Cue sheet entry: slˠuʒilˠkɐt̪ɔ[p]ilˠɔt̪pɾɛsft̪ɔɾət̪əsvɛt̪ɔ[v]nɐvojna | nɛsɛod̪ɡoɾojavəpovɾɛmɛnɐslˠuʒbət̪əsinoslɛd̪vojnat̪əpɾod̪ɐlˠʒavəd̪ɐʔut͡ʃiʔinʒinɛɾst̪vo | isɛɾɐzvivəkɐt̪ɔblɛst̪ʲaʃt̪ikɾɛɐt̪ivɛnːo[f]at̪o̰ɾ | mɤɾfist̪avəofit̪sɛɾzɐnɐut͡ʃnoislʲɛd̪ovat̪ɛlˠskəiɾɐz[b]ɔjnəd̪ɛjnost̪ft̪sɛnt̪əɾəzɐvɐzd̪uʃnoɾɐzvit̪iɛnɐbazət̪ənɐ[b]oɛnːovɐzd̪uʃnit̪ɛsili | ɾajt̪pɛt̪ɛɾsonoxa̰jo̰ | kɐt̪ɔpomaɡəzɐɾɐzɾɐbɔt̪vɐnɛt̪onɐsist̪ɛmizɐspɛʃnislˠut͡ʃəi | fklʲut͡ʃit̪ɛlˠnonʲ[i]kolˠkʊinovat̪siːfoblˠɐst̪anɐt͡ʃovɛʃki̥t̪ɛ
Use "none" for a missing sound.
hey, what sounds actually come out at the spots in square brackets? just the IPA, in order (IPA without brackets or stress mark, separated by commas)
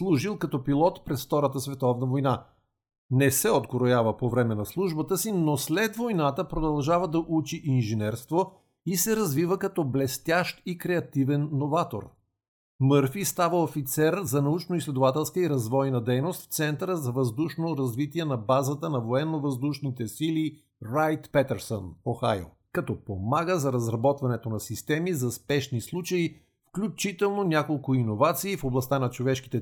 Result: p, v, v, v, v, a